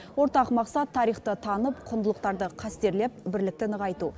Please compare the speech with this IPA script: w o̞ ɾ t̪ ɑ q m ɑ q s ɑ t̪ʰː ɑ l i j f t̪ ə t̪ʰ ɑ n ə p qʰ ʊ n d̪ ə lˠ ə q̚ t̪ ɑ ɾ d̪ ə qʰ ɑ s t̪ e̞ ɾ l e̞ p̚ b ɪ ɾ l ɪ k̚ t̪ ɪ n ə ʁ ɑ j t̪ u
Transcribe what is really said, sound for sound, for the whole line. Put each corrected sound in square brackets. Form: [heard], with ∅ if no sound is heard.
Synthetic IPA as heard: w o̞ ɾ t̪ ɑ q m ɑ q s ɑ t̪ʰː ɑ [ɾ] i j [χ] t̪ ə t̪ʰ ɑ n ə p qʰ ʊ n d̪ ə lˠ ə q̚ t̪ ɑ ɾ d̪ ə qʰ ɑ s t̪ e̞ ɾ l e̞ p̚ b ɪ ɾ l ɪ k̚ t̪ ɪ n ə ʁ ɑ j t̪ u